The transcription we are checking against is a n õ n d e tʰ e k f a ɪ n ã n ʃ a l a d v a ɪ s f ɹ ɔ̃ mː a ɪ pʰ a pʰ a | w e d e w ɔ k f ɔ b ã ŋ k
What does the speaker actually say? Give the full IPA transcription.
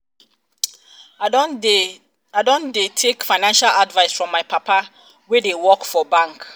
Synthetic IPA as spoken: a d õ n d e tʰ e k f a ɪ n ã n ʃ a l a d v a ɪ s f ɹ ɔ̃ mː a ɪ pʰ a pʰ a | w e d e w ɔ k f ɔ b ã ŋ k

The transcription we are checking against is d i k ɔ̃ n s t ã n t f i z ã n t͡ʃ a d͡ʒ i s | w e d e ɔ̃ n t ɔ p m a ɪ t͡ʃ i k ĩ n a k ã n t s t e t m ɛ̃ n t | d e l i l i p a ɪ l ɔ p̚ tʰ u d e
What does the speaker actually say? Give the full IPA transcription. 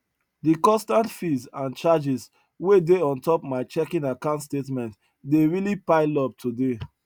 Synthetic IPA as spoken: d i k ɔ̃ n s t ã n t f i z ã n t͡ʃ a d͡ʒ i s | w e d e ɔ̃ n t ɔ p m a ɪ t͡ʃ ɛ k ĩ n a k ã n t s t e t m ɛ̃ n t | d e ɹ i l i p a ɪ l ɔ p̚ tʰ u d e

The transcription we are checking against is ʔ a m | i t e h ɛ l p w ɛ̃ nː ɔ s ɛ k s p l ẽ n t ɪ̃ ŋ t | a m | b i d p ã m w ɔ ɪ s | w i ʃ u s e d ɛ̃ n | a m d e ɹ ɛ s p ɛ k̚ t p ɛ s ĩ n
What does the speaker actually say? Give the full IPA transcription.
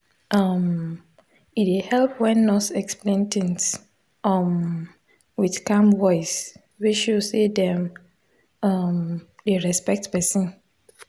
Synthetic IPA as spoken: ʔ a m | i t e h ɛ l p w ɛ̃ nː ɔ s ɛ k s p l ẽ n t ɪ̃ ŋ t | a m | w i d k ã m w ɔ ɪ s | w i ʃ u s e d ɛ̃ m | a m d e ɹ ɛ s p ɛ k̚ t p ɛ s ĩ n

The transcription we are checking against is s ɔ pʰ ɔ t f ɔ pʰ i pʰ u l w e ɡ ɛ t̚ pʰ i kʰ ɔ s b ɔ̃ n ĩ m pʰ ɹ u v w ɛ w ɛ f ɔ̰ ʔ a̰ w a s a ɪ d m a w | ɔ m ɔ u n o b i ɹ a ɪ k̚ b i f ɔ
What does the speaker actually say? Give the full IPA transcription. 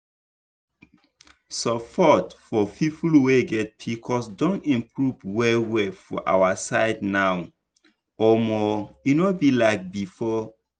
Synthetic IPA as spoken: s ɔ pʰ ɔ t f ɔ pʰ i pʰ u l w e ɡ ɛ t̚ pʰ i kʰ ɔ s d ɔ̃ n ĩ m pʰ ɹ u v w ɛ w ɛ f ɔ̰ ʔ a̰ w a s a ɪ d n a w | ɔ m ɔ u n o b i l a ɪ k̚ b i f ɔ

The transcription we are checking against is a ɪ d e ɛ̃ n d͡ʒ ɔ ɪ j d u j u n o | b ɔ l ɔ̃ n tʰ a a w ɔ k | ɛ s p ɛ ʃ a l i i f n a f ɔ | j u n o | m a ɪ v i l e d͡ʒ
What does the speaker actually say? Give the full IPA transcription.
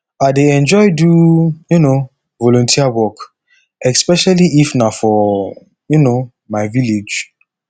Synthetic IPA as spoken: a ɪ d e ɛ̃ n d͡ʒ ɔ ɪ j d u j u n o | v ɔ l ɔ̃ n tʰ i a w ɔ k | ɛ s p ɛ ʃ a l i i f n a f ɔ | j u n o | m a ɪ v i l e d͡ʒ

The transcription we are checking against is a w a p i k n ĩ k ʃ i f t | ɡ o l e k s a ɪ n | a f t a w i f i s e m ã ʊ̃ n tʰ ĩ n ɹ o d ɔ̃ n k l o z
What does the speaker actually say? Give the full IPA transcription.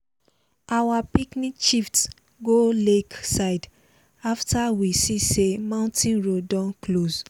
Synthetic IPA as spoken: a w a p i k n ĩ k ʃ i f t | ɡ o l e k s a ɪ d | a f t a w i s i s e m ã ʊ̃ n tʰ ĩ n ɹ o d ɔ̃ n k l o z

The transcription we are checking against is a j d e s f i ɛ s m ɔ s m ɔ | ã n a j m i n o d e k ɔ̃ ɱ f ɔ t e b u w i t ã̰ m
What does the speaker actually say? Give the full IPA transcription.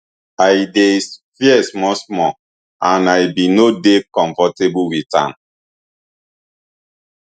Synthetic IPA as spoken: a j d e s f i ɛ s m ɔ s m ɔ | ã n a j b i n o d e k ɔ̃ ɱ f ɔ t e b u w i t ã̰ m

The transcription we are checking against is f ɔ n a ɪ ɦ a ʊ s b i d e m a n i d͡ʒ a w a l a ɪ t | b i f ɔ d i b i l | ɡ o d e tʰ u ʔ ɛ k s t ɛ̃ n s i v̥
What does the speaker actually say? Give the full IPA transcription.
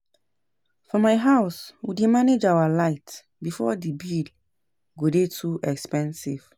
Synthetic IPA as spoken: f ɔ m a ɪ ɦ a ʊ s w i d e m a n e d͡ʒ a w a l a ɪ t | b i f ɔ d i b i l | ɡ o d e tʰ u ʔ ɛ k s p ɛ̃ n s i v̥

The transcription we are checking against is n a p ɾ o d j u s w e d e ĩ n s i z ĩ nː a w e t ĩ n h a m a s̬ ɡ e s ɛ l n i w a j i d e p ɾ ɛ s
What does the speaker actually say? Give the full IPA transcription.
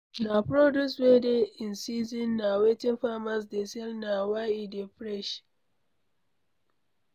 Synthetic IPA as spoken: n a p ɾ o d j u s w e d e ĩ n s i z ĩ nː a w e t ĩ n f a m a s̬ d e s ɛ l n a w a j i d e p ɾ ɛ ʃ

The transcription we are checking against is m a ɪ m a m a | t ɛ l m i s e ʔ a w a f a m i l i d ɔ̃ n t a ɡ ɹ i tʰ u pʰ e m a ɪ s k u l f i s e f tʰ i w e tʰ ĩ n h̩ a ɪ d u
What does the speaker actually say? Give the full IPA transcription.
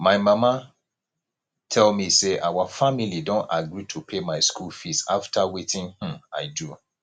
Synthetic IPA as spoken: m a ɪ m a m a | tʰ ɛ l m i s e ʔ a w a f a m i l i d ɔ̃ n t a ɡ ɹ i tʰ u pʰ e m a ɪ s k u l f i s a f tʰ a w e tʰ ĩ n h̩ a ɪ d u

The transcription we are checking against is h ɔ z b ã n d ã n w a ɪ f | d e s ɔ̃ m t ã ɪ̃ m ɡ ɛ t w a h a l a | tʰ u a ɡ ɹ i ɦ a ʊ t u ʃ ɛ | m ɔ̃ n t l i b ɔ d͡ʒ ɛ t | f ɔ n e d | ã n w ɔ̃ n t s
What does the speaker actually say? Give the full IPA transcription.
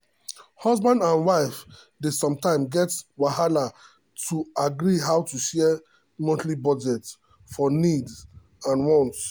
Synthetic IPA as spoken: h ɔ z b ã n d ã n w a ɪ f | d e s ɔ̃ m t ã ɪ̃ m ɡ ɛ t w a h a l a | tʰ u a ɡ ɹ i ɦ a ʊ t u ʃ ɛ | m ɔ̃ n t l i b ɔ d͡ʒ ɛ t | f ɔ n i d | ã n w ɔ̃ n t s

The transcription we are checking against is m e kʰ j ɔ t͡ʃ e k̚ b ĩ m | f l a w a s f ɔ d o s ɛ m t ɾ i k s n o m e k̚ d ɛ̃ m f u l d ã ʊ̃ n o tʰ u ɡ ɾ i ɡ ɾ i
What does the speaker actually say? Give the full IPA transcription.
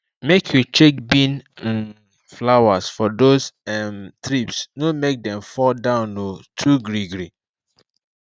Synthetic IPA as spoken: m e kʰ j u t͡ʃ e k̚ b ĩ n | f l a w a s f ɔ d o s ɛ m t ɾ i p s n o m e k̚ d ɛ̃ m f ɔ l d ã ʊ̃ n o tʰ u ɡ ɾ i ɡ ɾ i

